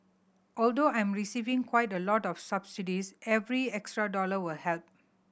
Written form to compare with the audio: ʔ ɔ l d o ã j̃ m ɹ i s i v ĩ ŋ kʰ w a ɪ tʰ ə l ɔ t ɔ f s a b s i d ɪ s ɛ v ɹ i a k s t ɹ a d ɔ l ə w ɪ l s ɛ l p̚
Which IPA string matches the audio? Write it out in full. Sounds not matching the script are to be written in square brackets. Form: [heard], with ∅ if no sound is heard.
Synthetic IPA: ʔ ɔ l d o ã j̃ m ɹ i s i v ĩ ŋ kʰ w a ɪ [t] ə l ɔ t ɔ f s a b s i d [i] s ɛ v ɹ i [ɛ] k s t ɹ a d ɔ l ə w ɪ l [h] ɛ l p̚

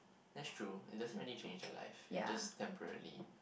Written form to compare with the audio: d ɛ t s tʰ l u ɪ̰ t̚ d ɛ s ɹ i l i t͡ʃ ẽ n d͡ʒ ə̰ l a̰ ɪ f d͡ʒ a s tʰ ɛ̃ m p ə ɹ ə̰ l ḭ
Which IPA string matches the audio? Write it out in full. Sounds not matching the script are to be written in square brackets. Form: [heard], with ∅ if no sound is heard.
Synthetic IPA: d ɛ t s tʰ [ɹ] u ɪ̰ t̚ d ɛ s ɹ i l i t͡ʃ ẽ n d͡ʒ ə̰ l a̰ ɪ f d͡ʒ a s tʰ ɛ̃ m p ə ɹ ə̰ l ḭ

